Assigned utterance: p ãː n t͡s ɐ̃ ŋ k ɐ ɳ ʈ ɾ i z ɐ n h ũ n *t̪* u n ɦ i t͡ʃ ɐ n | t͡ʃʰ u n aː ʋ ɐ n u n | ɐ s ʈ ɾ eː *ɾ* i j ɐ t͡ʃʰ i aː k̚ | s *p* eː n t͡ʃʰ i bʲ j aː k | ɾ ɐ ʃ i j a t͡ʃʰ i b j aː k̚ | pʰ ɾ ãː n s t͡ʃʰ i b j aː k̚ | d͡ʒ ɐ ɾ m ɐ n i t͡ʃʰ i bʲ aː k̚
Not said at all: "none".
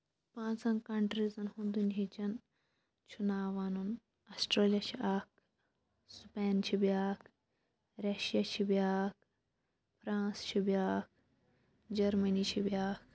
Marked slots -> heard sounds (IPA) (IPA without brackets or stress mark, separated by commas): d̪, l, p